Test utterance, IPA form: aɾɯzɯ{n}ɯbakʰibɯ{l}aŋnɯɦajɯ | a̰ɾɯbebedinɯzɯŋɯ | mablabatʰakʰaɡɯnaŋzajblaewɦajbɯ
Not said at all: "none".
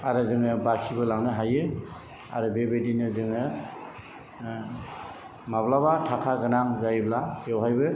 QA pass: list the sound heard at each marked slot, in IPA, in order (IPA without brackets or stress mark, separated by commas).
ŋ, l